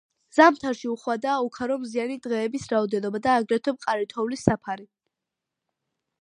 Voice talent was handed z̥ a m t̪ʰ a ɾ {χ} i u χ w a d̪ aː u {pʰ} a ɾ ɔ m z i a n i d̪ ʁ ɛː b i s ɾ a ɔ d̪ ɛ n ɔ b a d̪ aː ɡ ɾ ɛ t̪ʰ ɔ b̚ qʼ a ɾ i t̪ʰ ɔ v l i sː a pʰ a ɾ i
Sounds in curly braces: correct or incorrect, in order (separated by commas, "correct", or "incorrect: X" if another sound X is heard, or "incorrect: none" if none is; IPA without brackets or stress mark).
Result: incorrect: ʃ, incorrect: kʰ